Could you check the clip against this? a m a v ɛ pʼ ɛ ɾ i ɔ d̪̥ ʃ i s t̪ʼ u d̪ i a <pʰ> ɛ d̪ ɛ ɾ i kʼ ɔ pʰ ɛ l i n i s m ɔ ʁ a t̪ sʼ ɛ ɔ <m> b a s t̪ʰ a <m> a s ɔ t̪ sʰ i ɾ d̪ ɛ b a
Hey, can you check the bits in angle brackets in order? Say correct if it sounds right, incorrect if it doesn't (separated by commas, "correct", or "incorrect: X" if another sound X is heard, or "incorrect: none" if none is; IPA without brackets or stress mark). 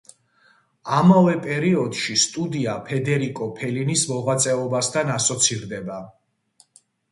correct, incorrect: none, incorrect: n